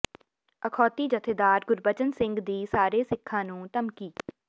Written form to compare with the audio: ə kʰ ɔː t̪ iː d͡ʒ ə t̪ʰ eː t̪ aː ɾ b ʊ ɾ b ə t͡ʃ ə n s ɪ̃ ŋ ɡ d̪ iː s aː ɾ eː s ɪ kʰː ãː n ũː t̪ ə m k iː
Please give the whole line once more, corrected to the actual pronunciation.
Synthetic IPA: ə kʰ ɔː t̪ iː d͡ʒ ə t̪ʰ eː d̪ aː ɾ ɡ ʊ ɾ b ə t͡ʃ ə n s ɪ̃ ŋ ɡ d̪ iː s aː ɾ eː s ɪ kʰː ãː n ũː t̪ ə m k iː